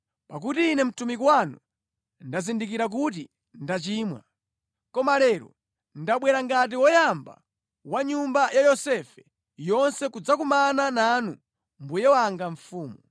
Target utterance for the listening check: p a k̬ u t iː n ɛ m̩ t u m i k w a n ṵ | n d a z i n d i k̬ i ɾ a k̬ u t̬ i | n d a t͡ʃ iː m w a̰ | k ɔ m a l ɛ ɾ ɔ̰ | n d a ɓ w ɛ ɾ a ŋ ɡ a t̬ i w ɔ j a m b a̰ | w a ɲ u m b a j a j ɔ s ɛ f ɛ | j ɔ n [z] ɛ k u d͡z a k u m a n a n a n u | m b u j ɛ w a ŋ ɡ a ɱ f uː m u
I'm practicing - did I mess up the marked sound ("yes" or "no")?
yes